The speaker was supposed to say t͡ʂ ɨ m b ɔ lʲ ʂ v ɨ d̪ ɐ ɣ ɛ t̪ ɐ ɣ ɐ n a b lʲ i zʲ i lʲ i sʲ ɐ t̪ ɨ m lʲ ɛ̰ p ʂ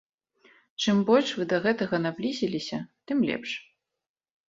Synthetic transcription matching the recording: t͡ʂ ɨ m b ɔ lʲ ʂ v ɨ d̪ ɐ ɣ ɛ t̪ ɐ ɣ ɐ n a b lʲ i zʲ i lʲ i sʲ ɐ t̪ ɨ m lʲ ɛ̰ p ʂ

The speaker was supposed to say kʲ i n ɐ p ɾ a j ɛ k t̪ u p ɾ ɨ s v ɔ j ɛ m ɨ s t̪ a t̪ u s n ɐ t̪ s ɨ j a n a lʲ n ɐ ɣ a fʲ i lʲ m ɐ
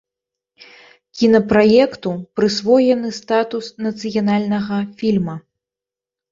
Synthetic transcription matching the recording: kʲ i n ɐ p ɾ a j ɛ k t̪ u p ɾ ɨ s v ɔ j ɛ n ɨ s t̪ a t̪ u s n ɐ t̪ s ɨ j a n a lʲ n ɐ ɣ ɐ fʲ i lʲ m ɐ

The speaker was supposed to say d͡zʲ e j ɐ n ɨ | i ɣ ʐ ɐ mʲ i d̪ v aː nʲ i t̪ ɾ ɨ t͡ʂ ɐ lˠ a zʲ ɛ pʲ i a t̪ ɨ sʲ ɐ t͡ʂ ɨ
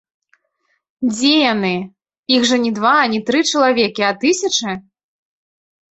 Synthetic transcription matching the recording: d͡zʲ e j a n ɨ | i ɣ ʐ ɐ nʲ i d̪ v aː nʲ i t̪ ɾ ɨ t͡ʂ ɐ lˠ a vʲ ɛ kʲ i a t̪ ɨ sʲ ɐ t͡ʂ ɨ

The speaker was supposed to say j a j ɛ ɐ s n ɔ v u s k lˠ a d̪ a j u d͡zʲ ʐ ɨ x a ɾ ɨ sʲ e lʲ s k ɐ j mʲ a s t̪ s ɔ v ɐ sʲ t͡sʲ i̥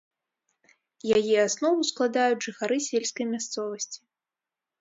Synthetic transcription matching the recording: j a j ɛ a s n ɔ v u s k lˠ a d̪ a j u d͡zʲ ʐ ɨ x a ɾ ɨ sʲ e lʲ s k ɐ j mʲ a s t̪ s ɔ v ɐ sʲ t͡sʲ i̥

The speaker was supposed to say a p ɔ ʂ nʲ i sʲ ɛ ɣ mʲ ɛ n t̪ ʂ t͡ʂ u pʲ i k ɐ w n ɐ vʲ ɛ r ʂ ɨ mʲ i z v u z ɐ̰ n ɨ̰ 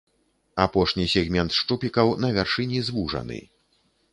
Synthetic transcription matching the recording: a p ɔ ʂ nʲ i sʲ ɛ ɣ mʲ ɛ n t̪ ʂ t͡ʂ u pʲ i k ɐ w n ɐ vʲ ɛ r ʂ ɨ nʲ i z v u ʐ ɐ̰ n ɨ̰

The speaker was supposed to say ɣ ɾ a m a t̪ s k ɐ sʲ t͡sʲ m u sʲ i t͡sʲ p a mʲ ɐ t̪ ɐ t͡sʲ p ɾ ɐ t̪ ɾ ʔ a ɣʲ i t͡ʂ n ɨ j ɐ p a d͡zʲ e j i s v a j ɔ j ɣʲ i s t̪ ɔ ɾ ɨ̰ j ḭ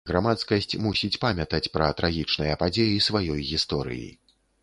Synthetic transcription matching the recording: ɣ ɾ a m a t̪ s k ɐ sʲ t͡sʲ m u sʲ i t͡sʲ p a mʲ ɐ t̪ ɐ t͡sʲ p ɾ ɐ t̪ ɾ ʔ a ɣʲ i t͡ʂ n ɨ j ɐ p a d͡zʲ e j i s v a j ɔ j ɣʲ i s t̪ ɔ ɾ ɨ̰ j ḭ

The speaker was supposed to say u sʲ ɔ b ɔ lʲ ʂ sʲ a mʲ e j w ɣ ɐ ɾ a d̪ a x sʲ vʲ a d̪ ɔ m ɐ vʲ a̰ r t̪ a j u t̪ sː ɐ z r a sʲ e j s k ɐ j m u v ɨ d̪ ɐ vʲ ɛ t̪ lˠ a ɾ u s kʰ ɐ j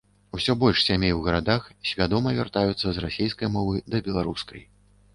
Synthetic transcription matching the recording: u sʲ ɔ b ɔ lʲ ʂ sʲ a mʲ e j w ɣ ɐ ɾ a d̪ a x sʲ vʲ a d̪ ɔ m ɐ vʲ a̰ r t̪ a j u t̪ sː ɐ z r a sʲ e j s k ɐ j m ɔ v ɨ d̪ ɐ bʲ ɛ lˠ a ɾ u s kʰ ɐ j

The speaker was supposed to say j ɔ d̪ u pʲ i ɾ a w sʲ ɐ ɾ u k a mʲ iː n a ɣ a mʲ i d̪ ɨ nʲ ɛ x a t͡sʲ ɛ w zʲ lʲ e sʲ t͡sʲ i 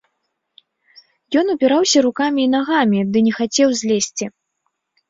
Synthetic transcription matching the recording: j ɔ n̪ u pʲ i ɾ a w sʲ ɐ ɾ u k a mʲ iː n a ɣ a mʲ i d̪ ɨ nʲ ɛ x a t͡sʲ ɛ w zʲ lʲ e sʲ t͡sʲ i

